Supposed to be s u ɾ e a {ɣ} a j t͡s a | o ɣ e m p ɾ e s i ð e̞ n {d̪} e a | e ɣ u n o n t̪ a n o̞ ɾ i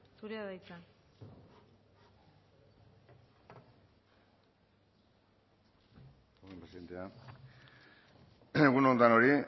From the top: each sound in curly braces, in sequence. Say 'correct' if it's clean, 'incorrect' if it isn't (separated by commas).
incorrect, incorrect